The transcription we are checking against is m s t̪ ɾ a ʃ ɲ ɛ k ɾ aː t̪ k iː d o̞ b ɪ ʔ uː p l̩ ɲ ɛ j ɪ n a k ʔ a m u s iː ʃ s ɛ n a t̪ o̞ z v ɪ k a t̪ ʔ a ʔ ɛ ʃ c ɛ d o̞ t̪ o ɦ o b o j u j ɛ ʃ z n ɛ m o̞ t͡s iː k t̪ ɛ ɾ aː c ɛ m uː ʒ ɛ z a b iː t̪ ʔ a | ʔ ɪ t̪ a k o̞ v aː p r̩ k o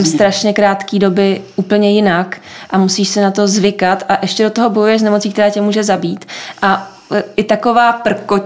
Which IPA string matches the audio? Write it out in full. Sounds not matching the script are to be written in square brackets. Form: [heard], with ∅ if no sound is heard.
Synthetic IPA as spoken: m s t̪ ɾ a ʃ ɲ ɛ k ɾ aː t̪ k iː d o̞ b ɪ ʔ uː p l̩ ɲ ɛ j ɪ n a k ʔ a m u s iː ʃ s ɛ n a t̪ o̞ z v ɪ k a t̪ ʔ a ʔ ɛ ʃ c ɛ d o̞ t̪ o ɦ o b o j u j ɛ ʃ z n ɛ m o̞ t͡s iː k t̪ ɛ ɾ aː c ɛ m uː ʒ ɛ z a b iː t̪ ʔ a | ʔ ɪ t̪ a k o̞ v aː p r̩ k o